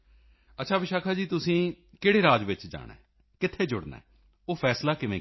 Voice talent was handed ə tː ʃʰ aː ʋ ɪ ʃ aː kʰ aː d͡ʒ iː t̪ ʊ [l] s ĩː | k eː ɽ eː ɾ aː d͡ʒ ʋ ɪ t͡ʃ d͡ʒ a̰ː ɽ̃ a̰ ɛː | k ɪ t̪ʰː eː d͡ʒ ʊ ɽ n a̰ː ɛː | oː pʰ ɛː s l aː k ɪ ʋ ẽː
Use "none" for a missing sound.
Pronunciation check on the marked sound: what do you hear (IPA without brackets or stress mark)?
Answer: none